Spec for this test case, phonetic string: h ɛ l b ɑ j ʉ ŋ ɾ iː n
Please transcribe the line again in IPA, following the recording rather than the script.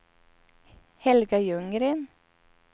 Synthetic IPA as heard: h ɛ l ɡ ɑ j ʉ ŋ ɾ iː n